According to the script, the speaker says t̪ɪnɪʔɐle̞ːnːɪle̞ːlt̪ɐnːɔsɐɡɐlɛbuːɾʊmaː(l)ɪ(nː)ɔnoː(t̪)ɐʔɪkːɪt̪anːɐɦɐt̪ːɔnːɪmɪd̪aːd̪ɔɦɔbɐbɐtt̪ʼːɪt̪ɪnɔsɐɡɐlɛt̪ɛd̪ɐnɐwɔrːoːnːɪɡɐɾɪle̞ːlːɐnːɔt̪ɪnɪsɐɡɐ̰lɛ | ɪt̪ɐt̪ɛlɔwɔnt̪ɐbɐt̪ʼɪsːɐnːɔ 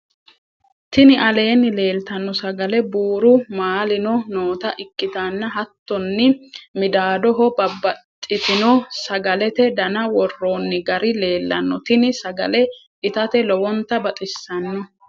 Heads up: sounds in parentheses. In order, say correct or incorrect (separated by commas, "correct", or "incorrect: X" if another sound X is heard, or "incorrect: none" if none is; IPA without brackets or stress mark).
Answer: correct, incorrect: n, correct